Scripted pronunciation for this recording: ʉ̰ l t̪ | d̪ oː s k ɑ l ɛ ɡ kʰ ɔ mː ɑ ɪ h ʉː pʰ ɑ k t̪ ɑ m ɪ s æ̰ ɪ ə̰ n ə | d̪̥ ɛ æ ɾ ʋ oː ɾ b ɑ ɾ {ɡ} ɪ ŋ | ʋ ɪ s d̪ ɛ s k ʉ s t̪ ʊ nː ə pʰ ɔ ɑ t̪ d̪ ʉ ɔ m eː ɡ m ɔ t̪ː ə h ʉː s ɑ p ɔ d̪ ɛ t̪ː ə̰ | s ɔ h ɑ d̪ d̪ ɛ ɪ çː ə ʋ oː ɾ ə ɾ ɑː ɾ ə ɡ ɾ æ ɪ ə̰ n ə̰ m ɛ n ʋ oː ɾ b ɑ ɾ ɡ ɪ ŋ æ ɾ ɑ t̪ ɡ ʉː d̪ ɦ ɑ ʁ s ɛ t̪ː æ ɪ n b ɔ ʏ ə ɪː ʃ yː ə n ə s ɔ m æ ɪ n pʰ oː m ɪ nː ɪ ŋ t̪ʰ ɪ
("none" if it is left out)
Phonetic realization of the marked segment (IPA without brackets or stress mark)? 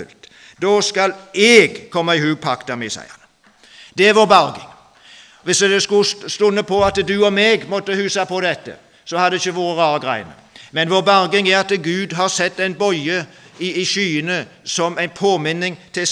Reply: ɡ